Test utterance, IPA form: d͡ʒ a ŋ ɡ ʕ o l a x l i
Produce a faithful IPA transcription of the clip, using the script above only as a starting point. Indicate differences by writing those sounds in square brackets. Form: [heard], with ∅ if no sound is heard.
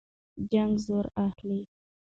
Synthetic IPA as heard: d͡ʒ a ŋ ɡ [z] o [ɾ] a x l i